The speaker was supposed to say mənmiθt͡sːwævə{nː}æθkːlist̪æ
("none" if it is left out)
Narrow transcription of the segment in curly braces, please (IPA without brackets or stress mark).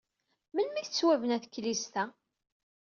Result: n